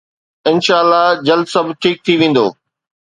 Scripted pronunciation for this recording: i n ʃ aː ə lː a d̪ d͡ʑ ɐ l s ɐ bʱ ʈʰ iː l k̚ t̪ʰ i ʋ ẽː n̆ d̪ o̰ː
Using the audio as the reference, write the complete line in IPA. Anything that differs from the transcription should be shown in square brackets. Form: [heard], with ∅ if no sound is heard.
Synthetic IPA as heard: [ɪ] n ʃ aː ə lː a [∅] d͡ʑ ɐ l s ɐ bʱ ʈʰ iː [∅] k̚ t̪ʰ i ʋ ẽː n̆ d̪ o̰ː